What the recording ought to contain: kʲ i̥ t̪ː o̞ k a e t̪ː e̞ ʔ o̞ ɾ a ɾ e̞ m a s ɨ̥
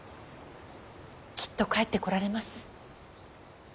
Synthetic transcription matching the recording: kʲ i̥ t̪ː o̞ k a e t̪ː e̞ k o̞ ɾ a ɾ e̞ m a s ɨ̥